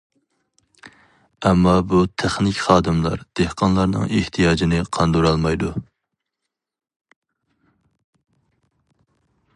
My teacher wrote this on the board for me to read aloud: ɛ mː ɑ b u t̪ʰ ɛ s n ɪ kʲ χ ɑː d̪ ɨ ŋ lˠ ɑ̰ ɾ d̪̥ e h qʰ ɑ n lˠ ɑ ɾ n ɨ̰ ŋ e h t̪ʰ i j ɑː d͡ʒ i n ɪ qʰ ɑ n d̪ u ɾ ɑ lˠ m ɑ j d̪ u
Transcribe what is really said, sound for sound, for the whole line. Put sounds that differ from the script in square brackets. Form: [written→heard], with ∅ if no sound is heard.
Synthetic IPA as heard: ɛ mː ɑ b u t̪ʰ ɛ [s→χ] n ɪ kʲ χ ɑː d̪ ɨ [ŋ→m] lˠ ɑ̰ ɾ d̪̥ e h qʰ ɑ n lˠ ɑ ɾ n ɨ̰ ŋ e h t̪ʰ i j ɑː d͡ʒ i n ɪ qʰ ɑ n d̪ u ɾ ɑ lˠ m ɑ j d̪ u